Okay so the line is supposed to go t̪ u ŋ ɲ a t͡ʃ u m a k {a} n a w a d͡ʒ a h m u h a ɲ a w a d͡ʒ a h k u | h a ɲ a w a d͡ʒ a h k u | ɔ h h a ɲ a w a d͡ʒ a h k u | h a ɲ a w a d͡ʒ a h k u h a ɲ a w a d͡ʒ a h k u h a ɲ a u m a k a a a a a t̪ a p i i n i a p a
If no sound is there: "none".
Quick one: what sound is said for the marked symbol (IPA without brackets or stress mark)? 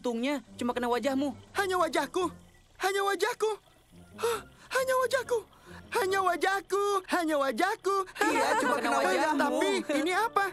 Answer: ə